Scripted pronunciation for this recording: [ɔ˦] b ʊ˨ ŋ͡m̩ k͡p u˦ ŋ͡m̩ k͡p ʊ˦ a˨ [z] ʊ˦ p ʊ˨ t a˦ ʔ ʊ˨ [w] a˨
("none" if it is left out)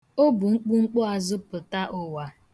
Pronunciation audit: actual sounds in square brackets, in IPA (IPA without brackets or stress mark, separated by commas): o˦, z, w